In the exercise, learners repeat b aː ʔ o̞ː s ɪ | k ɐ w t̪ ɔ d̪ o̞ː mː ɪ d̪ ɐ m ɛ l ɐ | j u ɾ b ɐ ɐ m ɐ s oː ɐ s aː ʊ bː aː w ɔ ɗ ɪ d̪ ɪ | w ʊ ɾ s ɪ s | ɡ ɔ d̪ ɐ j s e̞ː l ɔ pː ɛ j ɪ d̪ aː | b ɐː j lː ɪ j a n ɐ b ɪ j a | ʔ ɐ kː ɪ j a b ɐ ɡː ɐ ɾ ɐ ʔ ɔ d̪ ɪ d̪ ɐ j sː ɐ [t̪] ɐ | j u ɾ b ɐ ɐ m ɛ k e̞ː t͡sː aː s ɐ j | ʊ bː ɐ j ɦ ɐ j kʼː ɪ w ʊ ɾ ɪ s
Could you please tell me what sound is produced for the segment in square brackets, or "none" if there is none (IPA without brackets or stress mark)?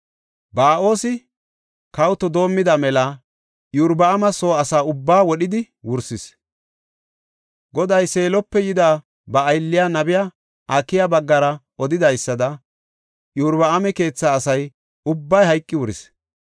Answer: d̪